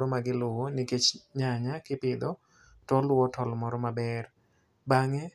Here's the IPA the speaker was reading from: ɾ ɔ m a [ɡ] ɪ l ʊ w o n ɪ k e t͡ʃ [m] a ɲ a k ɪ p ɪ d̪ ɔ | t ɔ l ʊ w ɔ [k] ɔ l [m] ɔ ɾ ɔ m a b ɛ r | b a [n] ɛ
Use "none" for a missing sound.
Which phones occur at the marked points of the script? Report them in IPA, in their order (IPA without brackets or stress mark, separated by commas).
ɡ, ɲ, t, m, ŋ